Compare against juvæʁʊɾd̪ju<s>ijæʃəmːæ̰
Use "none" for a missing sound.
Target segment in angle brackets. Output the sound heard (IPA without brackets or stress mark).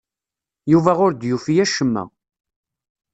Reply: f